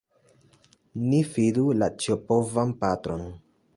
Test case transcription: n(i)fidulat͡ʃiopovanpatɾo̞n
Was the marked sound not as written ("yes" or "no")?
no